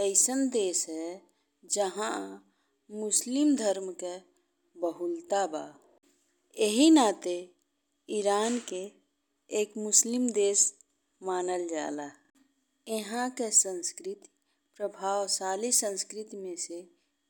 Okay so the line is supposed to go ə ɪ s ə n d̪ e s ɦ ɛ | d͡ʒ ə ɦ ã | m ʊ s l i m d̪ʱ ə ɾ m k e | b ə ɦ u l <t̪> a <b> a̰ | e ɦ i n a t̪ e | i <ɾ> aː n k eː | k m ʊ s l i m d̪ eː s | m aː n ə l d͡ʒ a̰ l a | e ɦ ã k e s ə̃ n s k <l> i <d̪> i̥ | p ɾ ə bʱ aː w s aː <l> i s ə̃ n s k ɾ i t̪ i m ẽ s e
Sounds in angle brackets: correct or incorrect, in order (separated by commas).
correct, correct, correct, incorrect, incorrect, correct